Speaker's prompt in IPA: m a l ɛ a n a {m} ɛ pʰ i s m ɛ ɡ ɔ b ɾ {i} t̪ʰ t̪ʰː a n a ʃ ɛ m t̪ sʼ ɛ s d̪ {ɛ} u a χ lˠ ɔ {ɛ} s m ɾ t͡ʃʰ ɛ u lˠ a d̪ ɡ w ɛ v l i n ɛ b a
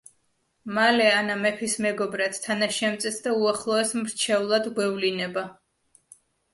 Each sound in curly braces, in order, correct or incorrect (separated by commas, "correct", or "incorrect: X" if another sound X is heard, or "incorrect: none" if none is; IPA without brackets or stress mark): correct, incorrect: a, incorrect: a, correct